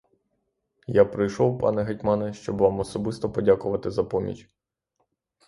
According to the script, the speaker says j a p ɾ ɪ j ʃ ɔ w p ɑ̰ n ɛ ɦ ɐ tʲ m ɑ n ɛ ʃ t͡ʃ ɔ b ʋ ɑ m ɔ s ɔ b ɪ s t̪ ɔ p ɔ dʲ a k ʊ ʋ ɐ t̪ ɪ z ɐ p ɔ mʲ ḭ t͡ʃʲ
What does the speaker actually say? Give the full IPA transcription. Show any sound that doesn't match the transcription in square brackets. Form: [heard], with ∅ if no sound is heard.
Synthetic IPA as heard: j a p ɾ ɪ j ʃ ɔ w p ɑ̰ n ɛ ɦ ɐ tʲ m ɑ n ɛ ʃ t͡ʃ ɔ b ʋ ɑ m ɔ s ɔ b ɪ s t̪ ɔ p ɔ dʲ a k ʊ ʋ ɐ t̪ ɪ z ɐ p ɔ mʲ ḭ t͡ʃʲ

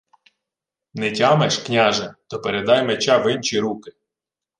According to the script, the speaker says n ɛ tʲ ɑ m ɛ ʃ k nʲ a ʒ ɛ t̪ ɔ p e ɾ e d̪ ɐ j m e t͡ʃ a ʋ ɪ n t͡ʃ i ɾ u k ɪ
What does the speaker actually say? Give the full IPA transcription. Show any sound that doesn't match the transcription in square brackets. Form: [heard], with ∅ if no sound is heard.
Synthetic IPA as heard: n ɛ tʲ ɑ m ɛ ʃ k nʲ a ʒ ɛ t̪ ɔ p e ɾ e d̪ [ɑ] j m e t͡ʃ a ʋ ɪ n t͡ʃ i ɾ u k ɪ

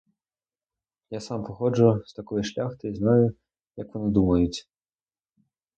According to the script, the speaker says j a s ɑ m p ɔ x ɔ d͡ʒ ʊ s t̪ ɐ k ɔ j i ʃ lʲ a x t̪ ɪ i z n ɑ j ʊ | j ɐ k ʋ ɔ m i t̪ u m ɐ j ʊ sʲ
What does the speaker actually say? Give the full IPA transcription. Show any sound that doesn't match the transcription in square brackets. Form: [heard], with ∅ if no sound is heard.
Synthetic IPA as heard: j a s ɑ m p ɔ x ɔ d͡ʒ ʊ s t̪ ɐ k ɔ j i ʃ lʲ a x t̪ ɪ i z n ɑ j ʊ | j ɐ k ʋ ɔ [n] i [d̪] u m ɐ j ʊ [t͡sʲ]

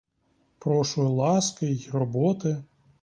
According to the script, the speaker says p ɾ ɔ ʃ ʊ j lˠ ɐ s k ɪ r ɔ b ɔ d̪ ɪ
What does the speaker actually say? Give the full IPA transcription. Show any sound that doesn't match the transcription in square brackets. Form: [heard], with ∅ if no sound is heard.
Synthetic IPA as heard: p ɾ ɔ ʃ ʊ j lˠ [ɑ] s k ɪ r ɔ b ɔ [t̪] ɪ

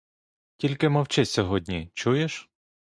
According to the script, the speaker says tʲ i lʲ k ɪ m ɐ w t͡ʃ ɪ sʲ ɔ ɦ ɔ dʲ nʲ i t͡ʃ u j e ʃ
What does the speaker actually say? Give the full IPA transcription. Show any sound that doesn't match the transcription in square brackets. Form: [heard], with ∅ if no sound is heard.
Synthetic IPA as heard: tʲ i lʲ k ɪ m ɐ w t͡ʃ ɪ sʲ ɔ ɦ ɔ dʲ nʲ i t͡ʃ u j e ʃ

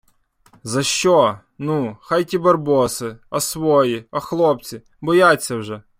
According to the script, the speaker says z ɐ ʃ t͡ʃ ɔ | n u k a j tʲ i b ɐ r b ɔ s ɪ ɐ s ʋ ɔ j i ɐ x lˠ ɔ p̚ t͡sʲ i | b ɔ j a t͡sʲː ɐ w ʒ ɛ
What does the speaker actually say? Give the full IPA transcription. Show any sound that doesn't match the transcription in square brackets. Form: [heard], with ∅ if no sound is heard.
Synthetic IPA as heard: z ɐ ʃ t͡ʃ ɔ | n u [x] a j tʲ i b ɐ r b ɔ s ɪ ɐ s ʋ ɔ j i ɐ x lˠ ɔ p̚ t͡sʲ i | b ɔ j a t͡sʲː ɐ w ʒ ɛ

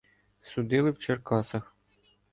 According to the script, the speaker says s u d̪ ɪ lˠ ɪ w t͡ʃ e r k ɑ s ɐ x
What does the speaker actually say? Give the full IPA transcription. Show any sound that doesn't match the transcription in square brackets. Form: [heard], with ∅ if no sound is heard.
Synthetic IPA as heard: s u d̪ ɪ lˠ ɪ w t͡ʃ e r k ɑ s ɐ x

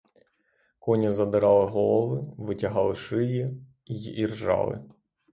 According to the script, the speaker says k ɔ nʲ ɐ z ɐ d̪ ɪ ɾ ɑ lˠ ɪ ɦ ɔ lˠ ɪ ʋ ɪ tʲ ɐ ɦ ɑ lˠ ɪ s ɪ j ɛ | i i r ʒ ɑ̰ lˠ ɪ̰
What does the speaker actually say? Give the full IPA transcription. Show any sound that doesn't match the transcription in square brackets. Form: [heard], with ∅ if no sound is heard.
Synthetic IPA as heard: k ɔ nʲ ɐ z ɐ d̪ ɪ ɾ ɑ lˠ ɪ ɦ ɔ lˠ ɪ ʋ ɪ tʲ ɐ ɦ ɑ lˠ ɪ [ʃ] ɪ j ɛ | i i r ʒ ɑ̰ lˠ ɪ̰

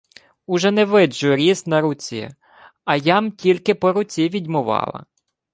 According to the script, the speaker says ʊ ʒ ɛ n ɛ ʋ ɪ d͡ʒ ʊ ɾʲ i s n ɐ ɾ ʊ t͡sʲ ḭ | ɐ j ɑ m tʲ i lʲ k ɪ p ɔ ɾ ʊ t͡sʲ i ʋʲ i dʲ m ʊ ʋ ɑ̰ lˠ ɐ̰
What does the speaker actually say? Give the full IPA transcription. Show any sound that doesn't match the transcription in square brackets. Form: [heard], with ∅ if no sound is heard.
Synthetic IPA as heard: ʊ ʒ ɛ n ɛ ʋ ɪ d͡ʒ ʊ ɾʲ i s n ɐ ɾ ʊ t͡sʲ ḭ | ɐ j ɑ m tʲ i lʲ k ɪ p ɔ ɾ ʊ t͡sʲ i ʋʲ i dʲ m ʊ ʋ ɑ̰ lˠ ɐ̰

